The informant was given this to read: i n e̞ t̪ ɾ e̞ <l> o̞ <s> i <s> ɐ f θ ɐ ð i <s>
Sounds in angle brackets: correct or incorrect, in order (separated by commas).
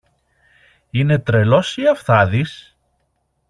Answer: correct, correct, incorrect, correct